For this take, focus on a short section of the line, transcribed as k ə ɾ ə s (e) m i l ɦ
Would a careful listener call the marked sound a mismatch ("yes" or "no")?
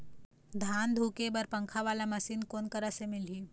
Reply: no